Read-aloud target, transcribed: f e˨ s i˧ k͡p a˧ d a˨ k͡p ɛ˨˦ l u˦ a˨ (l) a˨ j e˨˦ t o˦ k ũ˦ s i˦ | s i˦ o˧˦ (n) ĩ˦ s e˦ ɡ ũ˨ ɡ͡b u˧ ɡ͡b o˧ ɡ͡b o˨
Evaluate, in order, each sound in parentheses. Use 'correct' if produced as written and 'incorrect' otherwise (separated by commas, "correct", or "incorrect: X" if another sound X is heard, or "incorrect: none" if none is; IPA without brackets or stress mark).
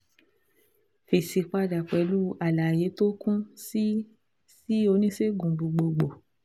correct, correct